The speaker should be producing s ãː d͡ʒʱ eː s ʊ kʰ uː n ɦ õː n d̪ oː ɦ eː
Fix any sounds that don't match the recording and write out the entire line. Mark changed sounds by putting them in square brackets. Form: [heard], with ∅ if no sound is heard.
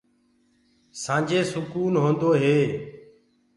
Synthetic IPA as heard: s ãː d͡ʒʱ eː s ʊ [k] uː n ɦ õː n d̪ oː ɦ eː